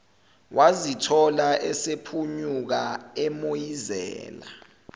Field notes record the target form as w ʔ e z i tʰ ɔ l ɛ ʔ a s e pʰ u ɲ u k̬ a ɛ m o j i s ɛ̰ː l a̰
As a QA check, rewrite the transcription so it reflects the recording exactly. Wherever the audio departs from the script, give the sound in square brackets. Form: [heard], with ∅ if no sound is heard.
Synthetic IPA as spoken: w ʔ [a] z i tʰ ɔ l [a] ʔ [ɛ] s e pʰ u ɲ u k̬ a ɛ m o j i [z] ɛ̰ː l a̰